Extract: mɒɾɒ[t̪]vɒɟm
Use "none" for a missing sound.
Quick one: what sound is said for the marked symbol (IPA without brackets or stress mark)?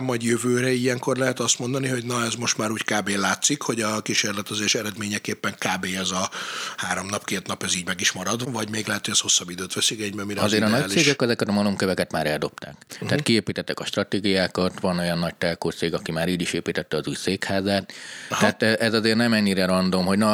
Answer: d̪